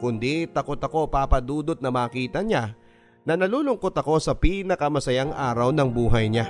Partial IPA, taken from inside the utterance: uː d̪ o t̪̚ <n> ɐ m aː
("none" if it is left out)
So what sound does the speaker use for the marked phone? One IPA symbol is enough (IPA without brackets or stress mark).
n